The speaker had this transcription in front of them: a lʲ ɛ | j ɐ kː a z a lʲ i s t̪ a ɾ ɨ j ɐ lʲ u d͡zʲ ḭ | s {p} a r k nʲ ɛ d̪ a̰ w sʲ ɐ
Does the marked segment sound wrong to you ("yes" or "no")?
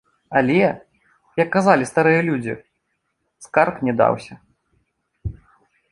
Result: yes